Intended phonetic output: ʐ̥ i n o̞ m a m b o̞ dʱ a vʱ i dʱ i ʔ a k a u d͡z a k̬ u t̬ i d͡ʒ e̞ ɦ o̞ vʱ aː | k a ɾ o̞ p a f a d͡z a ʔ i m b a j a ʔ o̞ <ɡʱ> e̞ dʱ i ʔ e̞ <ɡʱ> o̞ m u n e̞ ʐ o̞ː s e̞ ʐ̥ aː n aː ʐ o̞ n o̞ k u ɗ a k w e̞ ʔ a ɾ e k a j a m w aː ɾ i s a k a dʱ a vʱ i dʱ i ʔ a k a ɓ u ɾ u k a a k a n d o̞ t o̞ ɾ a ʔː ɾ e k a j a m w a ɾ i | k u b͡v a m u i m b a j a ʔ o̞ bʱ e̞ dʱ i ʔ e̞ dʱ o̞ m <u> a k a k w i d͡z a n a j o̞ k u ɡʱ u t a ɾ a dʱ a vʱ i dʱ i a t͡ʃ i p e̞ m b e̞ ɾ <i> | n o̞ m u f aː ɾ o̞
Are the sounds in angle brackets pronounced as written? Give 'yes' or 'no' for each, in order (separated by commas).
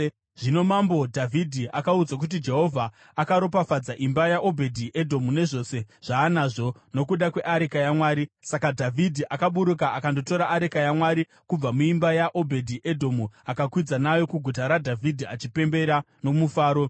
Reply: no, no, yes, no